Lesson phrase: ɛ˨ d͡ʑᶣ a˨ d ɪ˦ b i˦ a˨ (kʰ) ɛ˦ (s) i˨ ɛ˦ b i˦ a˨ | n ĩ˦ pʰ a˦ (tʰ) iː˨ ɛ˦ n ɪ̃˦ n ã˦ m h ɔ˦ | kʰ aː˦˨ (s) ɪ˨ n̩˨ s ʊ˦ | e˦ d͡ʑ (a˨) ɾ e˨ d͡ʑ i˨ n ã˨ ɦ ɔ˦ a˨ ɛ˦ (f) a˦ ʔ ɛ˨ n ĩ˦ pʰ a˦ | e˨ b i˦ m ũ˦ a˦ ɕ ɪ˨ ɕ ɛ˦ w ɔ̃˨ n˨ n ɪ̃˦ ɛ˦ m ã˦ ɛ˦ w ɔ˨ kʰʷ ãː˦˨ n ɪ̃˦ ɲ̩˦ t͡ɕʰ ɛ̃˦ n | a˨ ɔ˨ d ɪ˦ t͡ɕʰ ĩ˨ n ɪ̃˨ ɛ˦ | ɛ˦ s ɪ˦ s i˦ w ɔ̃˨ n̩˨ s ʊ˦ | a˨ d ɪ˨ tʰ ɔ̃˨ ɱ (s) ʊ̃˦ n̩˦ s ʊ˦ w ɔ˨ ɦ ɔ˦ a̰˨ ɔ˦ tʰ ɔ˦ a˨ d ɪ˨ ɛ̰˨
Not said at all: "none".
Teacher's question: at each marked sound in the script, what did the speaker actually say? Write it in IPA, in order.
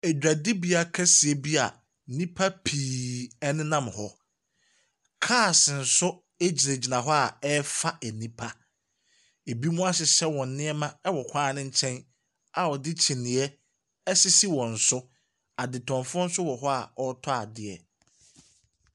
kʰ, s, pʰ, s, i˨, f, f

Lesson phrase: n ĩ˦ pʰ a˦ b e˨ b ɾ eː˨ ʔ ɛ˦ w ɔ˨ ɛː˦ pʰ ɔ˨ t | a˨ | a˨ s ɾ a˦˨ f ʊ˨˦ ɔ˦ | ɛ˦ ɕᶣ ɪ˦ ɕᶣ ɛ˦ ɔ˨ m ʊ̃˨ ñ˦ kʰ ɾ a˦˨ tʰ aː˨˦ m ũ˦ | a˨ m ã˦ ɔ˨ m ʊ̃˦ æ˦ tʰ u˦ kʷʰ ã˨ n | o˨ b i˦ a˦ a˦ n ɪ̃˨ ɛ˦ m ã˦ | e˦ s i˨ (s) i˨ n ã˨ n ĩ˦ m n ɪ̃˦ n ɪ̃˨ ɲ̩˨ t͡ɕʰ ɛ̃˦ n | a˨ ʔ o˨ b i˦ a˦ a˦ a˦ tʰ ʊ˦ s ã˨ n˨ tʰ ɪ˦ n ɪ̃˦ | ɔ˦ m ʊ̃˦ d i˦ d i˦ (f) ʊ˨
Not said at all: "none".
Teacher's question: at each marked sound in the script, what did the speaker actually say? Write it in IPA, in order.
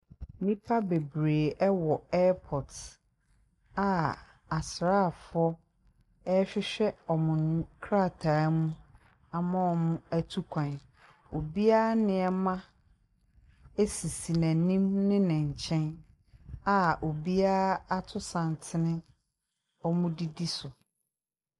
s, s

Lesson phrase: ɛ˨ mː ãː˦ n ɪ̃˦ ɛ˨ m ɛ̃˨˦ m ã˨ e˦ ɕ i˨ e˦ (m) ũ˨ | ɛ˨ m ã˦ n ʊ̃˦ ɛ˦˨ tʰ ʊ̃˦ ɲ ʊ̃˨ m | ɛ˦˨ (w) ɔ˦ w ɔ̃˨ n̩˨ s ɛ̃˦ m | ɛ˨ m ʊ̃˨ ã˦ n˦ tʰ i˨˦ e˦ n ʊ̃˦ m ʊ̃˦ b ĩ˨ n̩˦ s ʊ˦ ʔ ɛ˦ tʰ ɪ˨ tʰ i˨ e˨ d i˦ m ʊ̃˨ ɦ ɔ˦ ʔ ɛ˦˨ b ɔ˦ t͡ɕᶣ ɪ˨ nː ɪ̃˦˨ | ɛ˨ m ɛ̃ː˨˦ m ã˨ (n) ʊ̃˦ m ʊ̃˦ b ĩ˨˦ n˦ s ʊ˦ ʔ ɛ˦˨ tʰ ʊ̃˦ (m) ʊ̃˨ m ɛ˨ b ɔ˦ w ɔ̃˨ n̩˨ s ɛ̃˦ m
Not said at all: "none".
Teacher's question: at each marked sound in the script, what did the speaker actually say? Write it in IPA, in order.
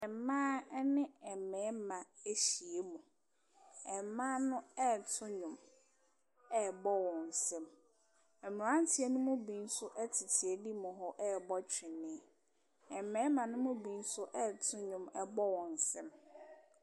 m, b, n, ɲ

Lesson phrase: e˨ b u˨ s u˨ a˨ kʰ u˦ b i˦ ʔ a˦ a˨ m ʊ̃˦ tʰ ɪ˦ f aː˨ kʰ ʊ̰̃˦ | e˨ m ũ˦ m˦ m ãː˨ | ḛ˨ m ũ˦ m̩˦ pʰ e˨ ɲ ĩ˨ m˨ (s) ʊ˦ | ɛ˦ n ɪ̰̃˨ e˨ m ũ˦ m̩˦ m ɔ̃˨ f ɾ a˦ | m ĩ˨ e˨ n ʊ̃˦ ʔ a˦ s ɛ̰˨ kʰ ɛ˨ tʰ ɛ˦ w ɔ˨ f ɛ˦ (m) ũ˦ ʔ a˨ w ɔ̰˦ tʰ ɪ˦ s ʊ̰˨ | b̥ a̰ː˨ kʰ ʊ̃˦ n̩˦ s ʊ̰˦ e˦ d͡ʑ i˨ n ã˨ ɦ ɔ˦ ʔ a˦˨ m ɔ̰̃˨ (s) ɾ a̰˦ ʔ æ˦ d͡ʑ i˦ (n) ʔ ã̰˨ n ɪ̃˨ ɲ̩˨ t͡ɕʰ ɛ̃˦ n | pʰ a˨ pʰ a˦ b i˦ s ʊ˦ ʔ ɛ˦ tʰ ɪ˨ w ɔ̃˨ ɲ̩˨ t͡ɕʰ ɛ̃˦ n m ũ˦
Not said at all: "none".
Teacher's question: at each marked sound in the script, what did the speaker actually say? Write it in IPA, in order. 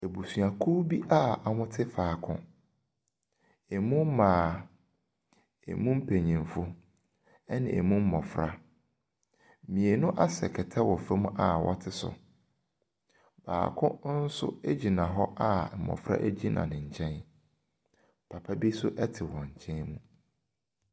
f, m, f, n

